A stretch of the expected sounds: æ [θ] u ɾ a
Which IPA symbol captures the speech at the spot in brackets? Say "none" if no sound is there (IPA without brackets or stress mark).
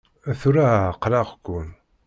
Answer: θ